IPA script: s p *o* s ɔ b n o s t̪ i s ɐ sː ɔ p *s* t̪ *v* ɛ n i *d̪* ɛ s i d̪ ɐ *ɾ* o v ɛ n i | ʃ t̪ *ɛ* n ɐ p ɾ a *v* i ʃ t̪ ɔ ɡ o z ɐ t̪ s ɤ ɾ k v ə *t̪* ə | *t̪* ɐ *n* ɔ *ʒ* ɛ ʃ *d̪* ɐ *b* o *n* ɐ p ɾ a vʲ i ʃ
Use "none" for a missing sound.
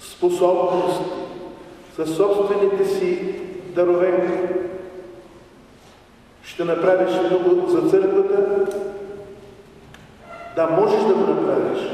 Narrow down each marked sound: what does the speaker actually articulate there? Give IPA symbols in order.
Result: o, s, v, t̪, ɾ, ɛ, v, t̪, d̪, m, ʒ, d̪, ɡ, n

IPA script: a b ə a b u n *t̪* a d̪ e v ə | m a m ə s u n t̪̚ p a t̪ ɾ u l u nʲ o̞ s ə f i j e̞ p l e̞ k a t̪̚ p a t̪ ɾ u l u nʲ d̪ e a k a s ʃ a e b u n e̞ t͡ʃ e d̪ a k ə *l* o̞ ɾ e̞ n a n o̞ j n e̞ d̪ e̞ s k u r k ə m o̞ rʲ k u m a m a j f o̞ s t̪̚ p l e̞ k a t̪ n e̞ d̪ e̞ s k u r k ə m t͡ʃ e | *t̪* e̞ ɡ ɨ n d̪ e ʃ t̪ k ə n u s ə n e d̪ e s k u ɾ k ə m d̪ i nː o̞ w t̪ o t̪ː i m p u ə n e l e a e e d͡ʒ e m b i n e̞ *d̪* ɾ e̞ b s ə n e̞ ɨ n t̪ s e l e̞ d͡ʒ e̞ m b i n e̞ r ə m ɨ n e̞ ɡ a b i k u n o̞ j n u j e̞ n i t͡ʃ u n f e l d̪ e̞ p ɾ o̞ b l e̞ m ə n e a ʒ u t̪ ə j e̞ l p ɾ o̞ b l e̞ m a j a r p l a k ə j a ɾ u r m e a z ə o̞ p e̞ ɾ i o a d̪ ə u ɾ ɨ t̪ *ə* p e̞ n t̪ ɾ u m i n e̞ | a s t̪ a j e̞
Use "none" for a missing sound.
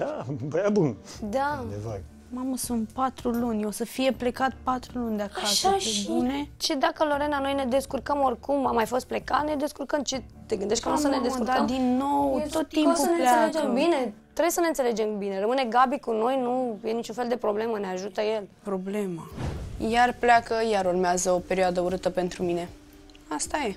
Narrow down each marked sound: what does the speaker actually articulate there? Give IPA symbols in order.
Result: d̪, l, t̪, t̪, ə

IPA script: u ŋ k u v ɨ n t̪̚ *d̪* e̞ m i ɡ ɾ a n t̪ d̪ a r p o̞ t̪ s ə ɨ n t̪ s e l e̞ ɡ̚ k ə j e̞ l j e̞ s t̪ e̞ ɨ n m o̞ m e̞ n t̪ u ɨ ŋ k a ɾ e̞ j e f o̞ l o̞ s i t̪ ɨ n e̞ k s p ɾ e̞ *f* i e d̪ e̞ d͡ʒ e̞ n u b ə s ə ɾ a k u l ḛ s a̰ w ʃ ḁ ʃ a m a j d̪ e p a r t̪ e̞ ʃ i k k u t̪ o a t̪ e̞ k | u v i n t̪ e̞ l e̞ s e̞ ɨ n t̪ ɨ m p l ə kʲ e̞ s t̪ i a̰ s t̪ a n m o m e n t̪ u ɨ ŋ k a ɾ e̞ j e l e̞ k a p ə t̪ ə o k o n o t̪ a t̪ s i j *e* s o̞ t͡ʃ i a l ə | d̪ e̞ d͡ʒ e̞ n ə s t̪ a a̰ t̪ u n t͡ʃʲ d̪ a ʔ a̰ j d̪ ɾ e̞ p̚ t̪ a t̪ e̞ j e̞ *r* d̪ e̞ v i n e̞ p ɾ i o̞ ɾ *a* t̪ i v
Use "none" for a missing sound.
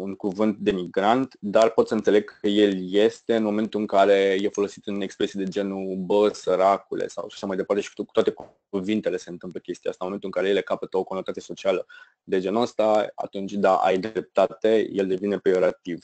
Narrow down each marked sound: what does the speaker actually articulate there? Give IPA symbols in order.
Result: d̪, s, e, l, a

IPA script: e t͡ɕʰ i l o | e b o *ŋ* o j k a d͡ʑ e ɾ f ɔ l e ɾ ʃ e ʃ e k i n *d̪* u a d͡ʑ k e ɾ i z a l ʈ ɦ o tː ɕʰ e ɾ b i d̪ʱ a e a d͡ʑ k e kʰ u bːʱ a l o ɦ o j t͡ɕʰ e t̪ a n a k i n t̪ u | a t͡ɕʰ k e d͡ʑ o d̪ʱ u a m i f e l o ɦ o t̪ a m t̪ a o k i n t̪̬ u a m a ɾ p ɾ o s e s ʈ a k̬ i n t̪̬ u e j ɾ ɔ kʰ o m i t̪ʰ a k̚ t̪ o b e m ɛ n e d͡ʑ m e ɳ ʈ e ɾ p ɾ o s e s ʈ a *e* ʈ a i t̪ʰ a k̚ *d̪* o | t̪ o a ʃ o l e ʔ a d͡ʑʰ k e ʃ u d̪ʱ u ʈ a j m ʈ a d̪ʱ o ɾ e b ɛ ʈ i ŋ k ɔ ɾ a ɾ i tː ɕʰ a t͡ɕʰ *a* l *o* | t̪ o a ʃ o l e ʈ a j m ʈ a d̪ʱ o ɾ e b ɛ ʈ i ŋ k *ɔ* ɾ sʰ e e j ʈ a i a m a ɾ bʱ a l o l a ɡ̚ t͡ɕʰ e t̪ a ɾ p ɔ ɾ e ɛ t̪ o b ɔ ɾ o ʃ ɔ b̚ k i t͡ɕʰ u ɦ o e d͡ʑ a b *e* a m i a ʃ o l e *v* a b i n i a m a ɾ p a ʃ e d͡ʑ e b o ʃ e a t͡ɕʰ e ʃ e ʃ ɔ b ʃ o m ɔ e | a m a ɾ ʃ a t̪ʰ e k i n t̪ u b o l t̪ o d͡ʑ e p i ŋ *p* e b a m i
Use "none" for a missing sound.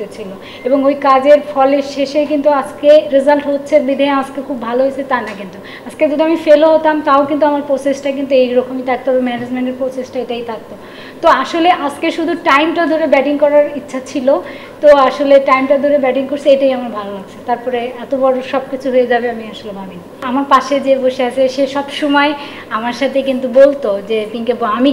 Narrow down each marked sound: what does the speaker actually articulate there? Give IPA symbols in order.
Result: ŋ, t̪, e, t̪, i, o, o, e, b, k

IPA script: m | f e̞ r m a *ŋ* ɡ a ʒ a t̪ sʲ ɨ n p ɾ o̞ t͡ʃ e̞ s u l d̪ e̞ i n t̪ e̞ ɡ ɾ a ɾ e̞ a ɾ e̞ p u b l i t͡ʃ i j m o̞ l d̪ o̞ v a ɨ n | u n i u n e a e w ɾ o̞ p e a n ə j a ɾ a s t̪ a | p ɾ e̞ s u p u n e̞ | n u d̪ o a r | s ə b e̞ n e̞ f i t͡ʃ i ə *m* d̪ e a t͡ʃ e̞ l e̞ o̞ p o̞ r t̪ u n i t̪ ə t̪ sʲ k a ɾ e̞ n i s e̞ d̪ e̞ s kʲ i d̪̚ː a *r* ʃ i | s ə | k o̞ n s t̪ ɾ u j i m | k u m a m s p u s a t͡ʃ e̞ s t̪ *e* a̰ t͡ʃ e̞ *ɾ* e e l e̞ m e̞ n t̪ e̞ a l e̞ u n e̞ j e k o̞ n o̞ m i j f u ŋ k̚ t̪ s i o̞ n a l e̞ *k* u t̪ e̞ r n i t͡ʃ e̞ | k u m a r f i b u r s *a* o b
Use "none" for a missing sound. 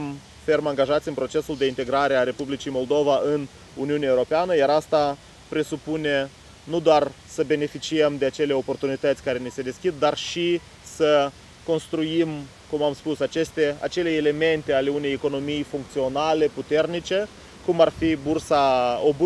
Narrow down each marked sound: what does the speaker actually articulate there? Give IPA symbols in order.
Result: ŋ, m, r, e, l, p, a

